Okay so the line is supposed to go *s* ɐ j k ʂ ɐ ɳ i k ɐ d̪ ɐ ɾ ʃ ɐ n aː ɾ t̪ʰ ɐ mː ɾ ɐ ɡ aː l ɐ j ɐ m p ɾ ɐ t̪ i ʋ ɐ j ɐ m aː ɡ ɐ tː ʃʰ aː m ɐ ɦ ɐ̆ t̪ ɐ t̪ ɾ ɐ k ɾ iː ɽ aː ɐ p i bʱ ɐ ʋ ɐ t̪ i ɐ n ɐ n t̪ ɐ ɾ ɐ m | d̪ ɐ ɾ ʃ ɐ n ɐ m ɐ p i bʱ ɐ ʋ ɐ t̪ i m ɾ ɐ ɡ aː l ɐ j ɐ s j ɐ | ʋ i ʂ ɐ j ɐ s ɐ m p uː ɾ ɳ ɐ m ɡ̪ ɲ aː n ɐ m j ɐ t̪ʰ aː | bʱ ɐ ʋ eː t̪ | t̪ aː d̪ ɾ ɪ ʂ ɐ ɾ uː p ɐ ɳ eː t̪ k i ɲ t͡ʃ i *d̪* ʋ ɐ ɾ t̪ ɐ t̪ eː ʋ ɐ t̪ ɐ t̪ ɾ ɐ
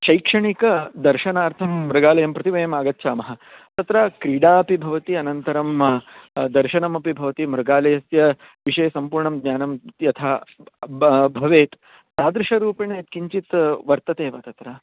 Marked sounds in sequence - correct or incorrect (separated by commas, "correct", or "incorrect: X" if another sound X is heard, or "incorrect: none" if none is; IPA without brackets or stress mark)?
incorrect: ʃ, incorrect: t̪